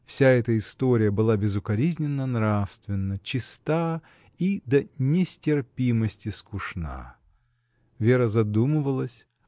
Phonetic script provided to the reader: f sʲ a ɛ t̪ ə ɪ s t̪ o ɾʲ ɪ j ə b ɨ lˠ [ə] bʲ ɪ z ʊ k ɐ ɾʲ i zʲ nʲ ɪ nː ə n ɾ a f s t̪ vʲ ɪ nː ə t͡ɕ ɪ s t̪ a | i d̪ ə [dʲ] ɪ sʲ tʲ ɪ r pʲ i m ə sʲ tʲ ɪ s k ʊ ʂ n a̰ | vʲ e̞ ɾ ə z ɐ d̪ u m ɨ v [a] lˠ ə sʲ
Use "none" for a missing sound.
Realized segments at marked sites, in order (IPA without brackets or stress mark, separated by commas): a, nʲ, ə